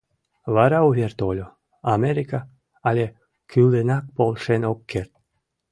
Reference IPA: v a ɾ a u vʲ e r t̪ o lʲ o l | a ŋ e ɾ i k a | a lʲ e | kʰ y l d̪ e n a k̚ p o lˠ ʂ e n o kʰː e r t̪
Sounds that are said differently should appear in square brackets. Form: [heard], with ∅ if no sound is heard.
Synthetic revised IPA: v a ɾ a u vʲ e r t̪ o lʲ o [∅] | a [m] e ɾ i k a | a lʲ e | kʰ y l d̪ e n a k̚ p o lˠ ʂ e n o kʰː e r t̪